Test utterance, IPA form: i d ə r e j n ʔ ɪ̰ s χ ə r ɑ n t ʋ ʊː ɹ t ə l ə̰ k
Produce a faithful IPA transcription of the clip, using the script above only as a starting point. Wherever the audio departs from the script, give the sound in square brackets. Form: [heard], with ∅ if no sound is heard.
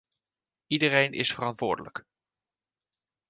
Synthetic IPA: i d ə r e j n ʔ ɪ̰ s [f] ə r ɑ n t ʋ ʊː ɹ [d] ə l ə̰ k